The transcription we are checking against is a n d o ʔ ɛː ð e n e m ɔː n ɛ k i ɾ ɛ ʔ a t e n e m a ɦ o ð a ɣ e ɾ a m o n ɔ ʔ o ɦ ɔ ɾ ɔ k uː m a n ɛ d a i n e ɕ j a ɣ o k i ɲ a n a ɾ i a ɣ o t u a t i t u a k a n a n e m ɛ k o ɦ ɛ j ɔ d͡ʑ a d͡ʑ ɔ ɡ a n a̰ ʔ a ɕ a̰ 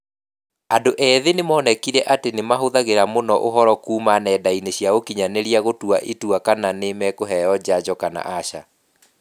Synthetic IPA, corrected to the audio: a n d o ʔ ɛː ð e n e m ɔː n ɛ k i ɾ ɛ ʔ a t e n e m a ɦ o ð a ɣ e ɾ a m o n ɔ ʔ o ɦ ɔ ɾ ɔ k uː m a n ɛ d a i n e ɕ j a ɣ o k i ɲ a n e ɾ i a ɣ o t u a ʔ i t u a k a n a n e m ɛ k o ɦ ɛ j ɔ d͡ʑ a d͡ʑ ɔ k a n a̰ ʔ a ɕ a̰